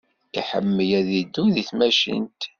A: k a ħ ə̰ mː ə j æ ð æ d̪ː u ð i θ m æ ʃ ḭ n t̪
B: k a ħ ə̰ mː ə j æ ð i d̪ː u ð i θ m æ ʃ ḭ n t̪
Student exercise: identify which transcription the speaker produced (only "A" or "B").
B